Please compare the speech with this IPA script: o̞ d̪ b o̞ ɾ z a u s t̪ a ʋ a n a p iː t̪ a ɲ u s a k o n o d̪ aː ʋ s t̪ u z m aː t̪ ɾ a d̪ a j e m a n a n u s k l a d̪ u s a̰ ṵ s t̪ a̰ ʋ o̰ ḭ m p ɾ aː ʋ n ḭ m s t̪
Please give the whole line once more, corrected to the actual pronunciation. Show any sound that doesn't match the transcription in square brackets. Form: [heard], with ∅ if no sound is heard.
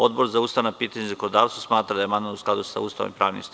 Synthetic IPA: o̞ d̪ b o̞ ɾ z a u s t̪ a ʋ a n a p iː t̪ a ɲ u [z] a k o n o d̪ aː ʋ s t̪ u [s] m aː t̪ ɾ a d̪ a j e m a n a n u s k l a d̪ u s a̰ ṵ s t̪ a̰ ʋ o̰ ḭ m p ɾ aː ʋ n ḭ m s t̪